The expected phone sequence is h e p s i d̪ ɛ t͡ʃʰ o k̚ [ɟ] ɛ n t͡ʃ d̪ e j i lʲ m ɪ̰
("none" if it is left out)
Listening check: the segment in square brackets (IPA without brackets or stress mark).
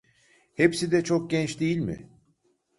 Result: ɟ